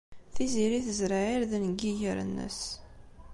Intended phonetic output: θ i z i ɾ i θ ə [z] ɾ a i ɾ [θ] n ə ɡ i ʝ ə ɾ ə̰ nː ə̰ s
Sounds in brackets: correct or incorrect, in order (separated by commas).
correct, incorrect